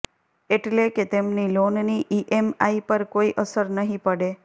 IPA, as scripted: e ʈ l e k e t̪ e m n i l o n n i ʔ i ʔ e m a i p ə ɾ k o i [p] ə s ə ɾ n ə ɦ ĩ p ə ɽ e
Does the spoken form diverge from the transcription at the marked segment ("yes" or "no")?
yes